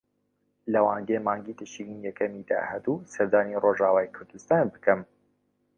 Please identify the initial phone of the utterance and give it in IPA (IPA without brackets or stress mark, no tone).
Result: l